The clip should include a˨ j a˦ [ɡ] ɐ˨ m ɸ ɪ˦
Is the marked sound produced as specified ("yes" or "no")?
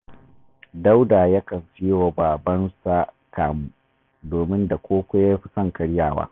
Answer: no